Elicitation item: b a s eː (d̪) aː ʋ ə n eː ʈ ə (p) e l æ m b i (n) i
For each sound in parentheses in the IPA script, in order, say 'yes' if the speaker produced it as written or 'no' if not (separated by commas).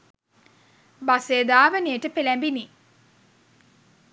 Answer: yes, yes, yes